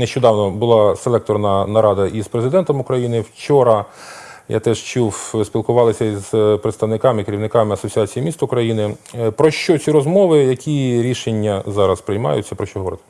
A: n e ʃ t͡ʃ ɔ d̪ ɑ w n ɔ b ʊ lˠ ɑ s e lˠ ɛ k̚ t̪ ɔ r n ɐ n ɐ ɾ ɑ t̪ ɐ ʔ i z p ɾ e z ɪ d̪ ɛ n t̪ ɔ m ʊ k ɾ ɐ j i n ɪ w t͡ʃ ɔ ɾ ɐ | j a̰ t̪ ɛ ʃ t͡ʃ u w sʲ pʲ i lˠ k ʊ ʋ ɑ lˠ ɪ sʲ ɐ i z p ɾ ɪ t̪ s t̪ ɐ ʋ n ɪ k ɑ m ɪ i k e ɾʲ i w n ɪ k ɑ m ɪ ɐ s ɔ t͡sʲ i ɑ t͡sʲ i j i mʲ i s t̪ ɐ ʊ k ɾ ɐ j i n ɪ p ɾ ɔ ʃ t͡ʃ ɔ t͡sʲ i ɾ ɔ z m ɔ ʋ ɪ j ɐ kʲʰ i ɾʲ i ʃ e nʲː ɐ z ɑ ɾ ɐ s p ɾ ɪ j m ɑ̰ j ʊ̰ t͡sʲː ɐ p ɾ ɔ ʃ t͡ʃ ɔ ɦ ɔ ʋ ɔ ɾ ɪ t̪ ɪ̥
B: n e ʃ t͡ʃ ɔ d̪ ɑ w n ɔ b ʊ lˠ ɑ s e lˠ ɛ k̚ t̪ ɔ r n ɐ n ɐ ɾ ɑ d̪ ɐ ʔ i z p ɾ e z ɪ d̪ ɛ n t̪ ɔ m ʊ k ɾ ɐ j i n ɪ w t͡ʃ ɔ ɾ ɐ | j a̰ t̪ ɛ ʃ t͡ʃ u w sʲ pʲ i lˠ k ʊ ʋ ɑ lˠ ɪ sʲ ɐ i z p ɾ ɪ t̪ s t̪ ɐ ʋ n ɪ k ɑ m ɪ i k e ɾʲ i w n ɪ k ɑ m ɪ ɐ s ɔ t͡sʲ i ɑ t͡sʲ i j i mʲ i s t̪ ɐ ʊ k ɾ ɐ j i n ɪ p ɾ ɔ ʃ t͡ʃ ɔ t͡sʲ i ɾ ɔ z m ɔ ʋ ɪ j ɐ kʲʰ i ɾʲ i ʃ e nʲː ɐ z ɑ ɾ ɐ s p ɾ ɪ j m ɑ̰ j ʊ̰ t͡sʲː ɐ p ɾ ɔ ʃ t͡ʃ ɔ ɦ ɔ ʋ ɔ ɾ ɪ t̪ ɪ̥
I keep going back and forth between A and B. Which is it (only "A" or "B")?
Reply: B